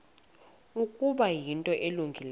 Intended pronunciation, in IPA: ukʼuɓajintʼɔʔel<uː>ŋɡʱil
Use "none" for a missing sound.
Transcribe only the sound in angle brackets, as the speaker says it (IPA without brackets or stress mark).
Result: u